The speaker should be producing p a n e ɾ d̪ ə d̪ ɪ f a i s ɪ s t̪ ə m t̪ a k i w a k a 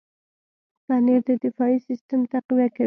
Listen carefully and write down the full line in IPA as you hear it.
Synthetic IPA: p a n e ɾ d̪ ə d̪ ɪ f ɑ i s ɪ s t̪ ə m t̪ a q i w a k a